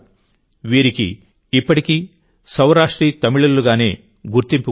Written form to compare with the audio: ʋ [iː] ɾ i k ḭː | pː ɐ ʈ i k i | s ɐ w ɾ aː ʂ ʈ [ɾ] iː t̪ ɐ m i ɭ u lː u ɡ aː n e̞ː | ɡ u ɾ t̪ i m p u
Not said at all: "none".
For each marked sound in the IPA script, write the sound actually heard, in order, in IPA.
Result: iː, ɾ

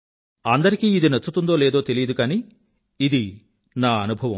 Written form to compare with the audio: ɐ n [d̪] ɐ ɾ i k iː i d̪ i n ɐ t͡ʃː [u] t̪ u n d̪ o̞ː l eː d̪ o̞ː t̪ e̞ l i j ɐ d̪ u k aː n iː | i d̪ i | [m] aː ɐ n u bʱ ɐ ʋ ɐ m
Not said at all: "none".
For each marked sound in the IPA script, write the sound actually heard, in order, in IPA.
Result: d̪, u, n

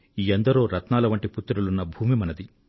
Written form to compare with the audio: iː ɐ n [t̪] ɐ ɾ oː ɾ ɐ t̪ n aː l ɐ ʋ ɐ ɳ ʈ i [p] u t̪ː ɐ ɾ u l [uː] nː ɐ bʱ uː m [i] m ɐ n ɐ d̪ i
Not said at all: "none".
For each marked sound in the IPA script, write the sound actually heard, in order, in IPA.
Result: d̪, p, u, i

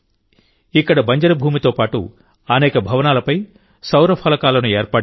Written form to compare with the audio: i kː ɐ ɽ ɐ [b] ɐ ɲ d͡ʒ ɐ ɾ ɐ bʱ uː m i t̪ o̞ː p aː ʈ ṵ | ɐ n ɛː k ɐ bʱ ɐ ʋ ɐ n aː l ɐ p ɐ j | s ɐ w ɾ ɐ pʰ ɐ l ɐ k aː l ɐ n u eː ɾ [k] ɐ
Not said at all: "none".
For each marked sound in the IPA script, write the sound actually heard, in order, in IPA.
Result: b, p

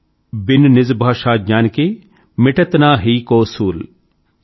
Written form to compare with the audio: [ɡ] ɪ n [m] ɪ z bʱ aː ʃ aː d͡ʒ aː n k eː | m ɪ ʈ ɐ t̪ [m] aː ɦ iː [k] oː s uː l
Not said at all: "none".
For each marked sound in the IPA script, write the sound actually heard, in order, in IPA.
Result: b, n, n, k

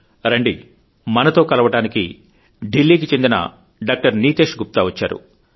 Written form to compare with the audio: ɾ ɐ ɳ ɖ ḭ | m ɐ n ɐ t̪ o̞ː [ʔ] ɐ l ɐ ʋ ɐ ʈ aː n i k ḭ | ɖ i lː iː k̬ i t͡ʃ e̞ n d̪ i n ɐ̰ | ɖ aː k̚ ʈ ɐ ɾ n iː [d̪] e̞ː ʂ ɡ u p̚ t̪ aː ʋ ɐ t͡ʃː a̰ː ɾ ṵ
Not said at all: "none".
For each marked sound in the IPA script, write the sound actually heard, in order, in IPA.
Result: k, t̪

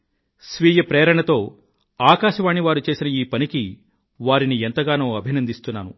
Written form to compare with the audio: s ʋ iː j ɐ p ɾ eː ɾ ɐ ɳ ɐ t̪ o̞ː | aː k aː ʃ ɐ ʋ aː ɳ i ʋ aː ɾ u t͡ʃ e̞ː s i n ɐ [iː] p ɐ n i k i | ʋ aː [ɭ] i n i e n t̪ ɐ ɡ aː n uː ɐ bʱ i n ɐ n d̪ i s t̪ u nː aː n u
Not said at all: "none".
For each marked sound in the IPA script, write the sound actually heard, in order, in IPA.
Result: iː, ɾ

